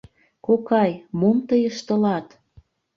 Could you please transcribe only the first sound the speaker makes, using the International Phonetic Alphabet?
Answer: k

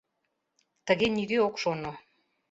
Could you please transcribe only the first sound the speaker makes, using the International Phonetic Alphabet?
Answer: t̪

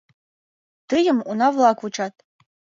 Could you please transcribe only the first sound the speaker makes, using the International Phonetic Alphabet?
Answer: t̪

